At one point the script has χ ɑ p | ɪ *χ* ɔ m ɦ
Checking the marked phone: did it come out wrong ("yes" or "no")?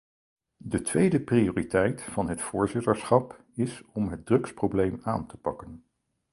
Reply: yes